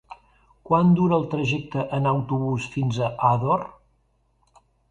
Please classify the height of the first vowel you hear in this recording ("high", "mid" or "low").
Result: low